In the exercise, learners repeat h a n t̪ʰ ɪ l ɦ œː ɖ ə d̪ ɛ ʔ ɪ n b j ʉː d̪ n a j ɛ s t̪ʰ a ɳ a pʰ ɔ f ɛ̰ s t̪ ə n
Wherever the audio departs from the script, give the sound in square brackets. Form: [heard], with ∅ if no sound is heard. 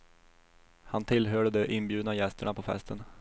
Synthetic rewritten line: h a n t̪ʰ ɪ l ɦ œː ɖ ə d̪ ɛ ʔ ɪ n b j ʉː d̪ n a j ɛ s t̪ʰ [ə] ɳ a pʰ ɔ f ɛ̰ s t̪ ə n